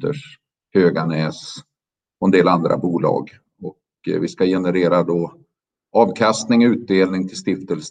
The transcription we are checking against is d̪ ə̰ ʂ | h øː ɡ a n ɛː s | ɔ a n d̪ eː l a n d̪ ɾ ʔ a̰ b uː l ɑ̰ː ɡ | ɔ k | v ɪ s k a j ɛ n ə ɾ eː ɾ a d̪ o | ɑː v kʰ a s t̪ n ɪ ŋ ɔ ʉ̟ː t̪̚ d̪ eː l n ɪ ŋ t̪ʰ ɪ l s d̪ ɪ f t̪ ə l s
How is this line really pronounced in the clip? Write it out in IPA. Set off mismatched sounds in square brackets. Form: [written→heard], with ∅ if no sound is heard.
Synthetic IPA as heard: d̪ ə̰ ʂ | h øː ɡ a n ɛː s | ɔ [a→ɛ] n d̪ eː l a n d̪ ɾ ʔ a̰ b uː l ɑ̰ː ɡ | ɔ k | v ɪ s k a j ɛ n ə ɾ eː ɾ a d̪ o | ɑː v kʰ a s t̪ n ɪ ŋ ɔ ʉ̟ː t̪̚ d̪ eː l n ɪ ŋ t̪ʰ ɪ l s [d̪→t̪] ɪ f t̪ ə l s